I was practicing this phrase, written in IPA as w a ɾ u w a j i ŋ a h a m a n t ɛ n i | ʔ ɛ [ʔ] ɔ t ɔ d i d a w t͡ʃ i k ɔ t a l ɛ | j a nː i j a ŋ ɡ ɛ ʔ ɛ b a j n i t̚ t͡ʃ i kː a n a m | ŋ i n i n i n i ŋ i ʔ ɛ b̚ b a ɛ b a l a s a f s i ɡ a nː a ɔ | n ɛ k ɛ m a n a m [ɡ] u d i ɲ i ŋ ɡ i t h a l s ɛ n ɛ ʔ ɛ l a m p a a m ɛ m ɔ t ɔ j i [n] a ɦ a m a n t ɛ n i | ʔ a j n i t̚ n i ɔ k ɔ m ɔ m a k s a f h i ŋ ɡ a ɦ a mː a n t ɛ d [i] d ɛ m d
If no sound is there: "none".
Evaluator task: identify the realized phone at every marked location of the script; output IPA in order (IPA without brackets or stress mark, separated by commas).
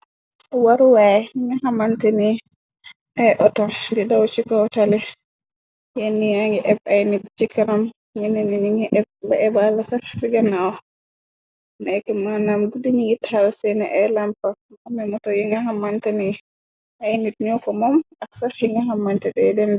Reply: ʔ, ɡ, ŋ, ɛ